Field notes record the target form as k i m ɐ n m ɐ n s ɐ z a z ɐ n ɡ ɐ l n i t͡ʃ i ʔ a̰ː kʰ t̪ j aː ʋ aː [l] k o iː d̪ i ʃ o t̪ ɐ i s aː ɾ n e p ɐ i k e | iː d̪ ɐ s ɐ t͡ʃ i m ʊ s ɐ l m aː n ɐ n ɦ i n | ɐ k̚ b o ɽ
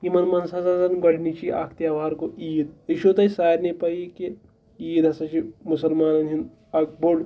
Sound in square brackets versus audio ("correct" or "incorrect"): incorrect